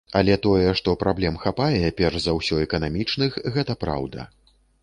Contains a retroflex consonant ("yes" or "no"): yes